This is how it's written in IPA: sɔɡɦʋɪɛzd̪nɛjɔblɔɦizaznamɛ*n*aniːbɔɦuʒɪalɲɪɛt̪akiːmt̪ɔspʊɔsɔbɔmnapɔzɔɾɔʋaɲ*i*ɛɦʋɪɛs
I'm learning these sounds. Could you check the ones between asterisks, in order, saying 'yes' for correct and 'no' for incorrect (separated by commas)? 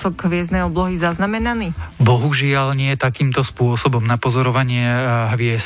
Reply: yes, no